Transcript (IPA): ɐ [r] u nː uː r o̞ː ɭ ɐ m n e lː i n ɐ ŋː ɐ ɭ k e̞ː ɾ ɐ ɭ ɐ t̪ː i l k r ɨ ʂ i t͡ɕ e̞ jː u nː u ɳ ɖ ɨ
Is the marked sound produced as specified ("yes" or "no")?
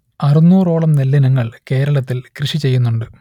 yes